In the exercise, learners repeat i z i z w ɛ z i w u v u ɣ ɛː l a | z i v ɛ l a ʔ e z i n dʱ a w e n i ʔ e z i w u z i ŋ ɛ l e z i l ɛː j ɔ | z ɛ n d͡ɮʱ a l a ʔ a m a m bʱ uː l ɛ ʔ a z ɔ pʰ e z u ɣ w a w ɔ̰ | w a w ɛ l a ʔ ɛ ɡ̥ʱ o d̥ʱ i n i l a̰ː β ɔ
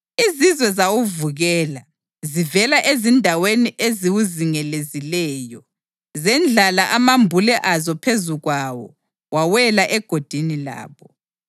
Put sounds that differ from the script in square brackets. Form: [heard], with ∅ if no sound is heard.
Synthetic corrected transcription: i z i z w ɛ z [a] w u v u ɣ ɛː l a | z i v ɛ l a ʔ e z i n dʱ a w e n i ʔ e z i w u z i ŋ ɛ l e z i l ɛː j ɔ | z ɛ n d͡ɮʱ a l a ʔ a m a m bʱ [u] l ɛ ʔ a z ɔ pʰ e z u ɣ w a w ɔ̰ | w a w ɛ l a ʔ ɛ ɡ̥ʱ o d̥ʱ i n i l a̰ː β ɔ